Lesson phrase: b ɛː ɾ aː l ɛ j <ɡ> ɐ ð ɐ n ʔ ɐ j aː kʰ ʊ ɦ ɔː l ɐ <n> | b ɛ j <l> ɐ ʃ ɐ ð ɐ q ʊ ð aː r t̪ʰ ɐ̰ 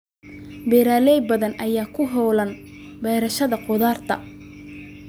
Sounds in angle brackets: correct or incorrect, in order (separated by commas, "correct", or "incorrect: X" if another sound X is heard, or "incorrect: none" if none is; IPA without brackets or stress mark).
incorrect: b, correct, incorrect: ɾ